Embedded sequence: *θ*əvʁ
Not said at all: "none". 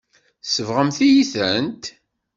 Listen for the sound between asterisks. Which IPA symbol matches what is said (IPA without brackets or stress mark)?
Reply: s